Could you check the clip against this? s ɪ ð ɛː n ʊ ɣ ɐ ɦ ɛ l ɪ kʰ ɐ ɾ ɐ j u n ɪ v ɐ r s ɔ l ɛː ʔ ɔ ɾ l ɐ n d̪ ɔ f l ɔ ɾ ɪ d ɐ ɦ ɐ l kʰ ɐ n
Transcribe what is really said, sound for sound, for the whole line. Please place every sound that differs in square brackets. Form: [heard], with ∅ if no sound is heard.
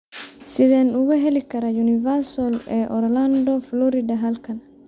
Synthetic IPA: s ɪ ð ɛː n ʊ ɣ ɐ ɦ ɛ l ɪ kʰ ɐ ɾ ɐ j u n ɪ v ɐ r s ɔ l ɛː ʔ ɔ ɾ l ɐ n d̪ ɔ f l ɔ ɾ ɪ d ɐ ɦ ɐ l kʰ ɐ n